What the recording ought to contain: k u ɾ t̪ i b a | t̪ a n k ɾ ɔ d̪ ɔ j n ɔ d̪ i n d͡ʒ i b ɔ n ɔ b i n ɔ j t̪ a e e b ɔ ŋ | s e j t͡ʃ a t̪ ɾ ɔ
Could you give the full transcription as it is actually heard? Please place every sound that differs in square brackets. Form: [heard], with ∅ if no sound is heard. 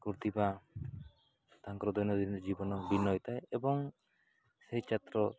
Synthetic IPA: k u ɾ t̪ i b a | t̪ a [ŋ] k ɾ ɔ d̪ ɔ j n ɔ d̪ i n d͡ʒ i b ɔ n ɔ b i n ɔ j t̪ a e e b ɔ ŋ | s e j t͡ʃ a t̪ ɾ ɔ